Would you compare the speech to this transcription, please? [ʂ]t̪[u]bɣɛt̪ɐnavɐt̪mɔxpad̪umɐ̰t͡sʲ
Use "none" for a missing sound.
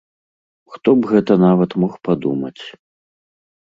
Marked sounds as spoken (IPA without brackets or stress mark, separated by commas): x, ɔ